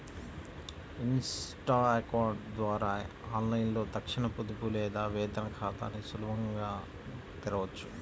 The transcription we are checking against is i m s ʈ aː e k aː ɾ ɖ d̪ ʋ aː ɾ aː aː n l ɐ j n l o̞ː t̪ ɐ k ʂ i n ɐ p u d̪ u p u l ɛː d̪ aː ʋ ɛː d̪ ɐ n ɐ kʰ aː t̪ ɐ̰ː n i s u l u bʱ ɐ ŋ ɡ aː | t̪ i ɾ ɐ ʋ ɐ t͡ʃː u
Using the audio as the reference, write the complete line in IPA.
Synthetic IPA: i n s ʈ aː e k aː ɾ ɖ d̪ ʋ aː ɾ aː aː n l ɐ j n l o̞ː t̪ ɐ k ʂ i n ɐ p u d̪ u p u l ɛː d̪ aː ʋ ɛː d̪ ɐ n ɐ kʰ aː t̪ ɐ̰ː n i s u l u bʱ ɐ ŋ ɡ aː | t̪ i ɾ ɐ ʋ ɐ t͡ʃː u